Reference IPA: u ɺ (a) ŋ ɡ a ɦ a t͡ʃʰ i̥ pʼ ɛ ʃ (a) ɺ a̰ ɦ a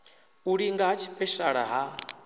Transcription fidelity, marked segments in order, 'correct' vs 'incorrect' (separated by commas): incorrect, correct